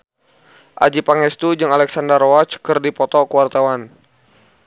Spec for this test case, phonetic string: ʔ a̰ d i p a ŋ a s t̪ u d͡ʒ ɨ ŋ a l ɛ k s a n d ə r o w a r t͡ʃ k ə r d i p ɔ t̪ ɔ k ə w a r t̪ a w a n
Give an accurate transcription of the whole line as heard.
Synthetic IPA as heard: ʔ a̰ d͡ʒ i p a ŋ ɛ s t̪ u d͡ʒ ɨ ŋ a l ɛ k s a n d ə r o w a t͡ʃ k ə r d i p ɔ t̪ ɔ k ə w a r t̪ a w a n